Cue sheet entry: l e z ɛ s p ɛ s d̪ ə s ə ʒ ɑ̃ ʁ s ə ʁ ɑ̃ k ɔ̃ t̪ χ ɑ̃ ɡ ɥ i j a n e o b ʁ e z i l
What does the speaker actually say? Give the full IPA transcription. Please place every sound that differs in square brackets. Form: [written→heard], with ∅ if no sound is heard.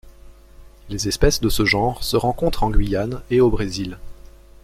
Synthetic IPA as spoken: l e z ɛ s p ɛ s d̪ ə s ə ʒ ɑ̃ ʁ s ə ʁ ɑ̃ k ɔ̃ t̪ χ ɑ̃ ɡ ɥ i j a n e o b ʁ e z i l